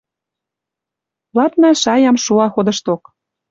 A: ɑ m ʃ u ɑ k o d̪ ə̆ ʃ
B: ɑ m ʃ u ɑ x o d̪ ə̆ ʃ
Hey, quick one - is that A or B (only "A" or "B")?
B